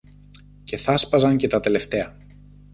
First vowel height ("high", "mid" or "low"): mid